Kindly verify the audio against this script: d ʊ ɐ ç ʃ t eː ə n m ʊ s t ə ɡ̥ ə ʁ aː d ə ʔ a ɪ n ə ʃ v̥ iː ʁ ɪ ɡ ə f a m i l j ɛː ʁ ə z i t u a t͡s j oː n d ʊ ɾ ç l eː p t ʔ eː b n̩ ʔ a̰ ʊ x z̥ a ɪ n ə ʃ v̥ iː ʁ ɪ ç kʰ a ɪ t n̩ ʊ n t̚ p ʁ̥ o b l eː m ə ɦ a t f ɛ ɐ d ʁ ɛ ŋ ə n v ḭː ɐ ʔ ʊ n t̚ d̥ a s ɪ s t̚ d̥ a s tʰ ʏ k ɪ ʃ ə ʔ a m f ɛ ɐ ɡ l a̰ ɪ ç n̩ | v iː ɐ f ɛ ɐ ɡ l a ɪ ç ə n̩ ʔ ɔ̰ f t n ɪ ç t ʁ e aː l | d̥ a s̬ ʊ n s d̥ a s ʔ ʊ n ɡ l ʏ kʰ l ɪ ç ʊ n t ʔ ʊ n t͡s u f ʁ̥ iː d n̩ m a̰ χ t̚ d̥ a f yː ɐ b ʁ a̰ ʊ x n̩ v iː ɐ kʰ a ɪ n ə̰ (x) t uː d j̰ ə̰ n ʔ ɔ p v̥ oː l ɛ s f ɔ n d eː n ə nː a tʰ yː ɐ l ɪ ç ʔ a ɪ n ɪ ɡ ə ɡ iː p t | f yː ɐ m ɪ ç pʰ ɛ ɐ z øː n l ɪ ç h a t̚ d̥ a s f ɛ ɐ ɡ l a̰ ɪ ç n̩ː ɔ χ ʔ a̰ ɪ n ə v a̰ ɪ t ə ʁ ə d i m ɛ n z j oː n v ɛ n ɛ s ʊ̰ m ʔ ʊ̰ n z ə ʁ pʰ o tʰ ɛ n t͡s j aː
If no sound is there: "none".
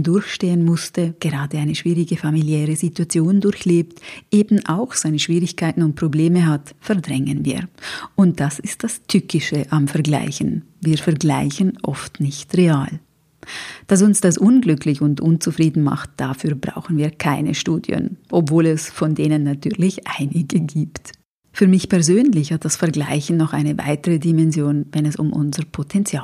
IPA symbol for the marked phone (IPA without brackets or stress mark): ʃ